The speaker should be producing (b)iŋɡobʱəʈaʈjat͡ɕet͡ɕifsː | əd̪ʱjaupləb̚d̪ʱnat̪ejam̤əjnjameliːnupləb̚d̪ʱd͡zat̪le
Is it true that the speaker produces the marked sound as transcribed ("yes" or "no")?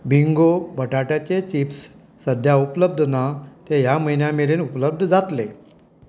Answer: yes